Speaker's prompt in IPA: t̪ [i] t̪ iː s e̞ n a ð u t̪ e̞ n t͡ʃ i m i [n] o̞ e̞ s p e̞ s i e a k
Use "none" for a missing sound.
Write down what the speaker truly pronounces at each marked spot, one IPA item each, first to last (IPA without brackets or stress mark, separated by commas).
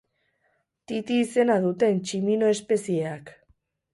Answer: i, n